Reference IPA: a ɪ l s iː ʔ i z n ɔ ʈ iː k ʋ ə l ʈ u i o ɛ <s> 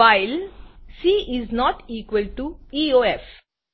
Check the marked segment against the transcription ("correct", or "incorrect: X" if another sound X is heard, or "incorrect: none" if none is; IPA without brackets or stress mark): incorrect: f